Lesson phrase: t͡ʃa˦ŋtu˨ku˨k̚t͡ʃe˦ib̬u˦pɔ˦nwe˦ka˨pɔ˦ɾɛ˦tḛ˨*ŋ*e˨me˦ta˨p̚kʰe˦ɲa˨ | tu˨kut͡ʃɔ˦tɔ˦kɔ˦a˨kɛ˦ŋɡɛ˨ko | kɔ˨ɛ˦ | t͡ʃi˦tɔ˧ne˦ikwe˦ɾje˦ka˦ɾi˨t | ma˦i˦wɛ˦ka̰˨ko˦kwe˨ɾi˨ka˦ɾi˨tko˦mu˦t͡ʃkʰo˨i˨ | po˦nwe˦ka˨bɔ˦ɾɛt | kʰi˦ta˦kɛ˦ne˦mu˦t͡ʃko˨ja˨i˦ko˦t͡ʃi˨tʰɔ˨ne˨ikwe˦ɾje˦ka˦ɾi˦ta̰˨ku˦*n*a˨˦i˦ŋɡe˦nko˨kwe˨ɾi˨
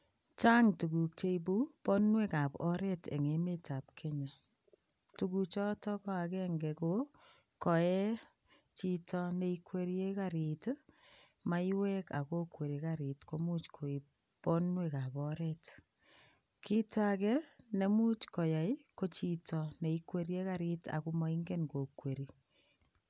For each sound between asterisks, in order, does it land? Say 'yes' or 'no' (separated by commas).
yes, no